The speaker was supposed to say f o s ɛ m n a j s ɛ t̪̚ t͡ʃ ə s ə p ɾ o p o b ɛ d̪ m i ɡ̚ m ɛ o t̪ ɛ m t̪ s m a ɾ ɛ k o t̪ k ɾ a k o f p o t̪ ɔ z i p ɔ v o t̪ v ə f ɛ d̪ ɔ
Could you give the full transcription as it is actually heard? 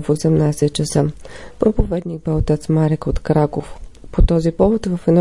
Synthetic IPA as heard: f o s ɛ m n a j s ɛ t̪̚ t͡ʃ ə s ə p ɾ o p o v ɛ d̪ n i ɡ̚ b ɛ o t̪ ɛ t̪ s m a ɾ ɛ k o t̪ k ɾ a k o f p o t̪ ɔ z i p ɔ v o t̪ v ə f ɛ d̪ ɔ